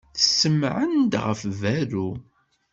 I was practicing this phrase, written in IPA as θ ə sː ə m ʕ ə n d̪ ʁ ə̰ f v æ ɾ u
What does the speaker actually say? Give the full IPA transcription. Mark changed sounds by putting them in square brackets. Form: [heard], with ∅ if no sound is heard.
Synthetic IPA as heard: θ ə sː ə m ʕ ə n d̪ ʁ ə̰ f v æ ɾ u